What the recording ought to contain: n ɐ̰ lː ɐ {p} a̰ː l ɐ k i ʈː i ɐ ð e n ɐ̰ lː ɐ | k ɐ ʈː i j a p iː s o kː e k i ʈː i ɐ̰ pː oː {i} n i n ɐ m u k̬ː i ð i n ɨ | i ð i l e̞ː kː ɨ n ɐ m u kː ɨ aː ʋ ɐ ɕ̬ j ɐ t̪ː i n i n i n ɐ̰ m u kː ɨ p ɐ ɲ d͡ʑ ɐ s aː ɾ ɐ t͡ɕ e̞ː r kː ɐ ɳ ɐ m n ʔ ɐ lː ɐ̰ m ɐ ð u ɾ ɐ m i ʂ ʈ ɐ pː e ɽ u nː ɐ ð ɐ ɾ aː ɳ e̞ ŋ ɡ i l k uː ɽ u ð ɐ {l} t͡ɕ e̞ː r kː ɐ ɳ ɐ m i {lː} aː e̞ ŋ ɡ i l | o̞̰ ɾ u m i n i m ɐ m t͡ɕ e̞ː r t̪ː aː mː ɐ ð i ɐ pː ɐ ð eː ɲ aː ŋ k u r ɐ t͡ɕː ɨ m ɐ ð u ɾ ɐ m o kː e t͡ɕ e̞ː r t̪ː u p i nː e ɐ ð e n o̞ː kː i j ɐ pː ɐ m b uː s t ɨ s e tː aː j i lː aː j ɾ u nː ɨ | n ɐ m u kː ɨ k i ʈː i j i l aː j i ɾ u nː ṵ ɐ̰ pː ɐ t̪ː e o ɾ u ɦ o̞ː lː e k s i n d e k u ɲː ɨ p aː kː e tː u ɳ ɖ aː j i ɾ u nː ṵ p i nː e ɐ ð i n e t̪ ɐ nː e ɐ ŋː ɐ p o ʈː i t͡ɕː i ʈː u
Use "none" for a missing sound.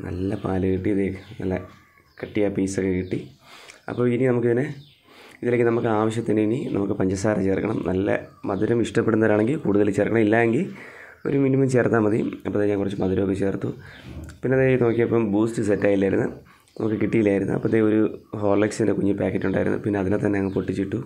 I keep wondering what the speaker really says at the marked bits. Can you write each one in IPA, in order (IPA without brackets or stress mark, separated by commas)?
p, i, l, lː